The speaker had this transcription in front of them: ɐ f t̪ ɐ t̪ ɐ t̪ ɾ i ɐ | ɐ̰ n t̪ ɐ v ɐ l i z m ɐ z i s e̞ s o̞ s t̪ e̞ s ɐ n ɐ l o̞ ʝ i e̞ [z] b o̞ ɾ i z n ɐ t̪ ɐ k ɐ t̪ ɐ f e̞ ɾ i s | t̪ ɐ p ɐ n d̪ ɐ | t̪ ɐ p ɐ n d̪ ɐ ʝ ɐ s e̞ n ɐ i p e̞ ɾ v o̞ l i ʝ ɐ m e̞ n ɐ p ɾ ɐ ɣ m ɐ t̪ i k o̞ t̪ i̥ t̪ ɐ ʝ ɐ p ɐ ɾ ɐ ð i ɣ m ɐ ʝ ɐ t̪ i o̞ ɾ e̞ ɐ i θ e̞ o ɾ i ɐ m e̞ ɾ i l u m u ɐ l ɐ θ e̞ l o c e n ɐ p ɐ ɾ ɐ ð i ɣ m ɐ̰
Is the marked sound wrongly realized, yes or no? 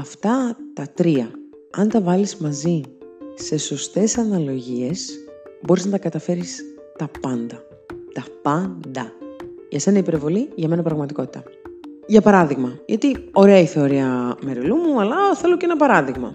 yes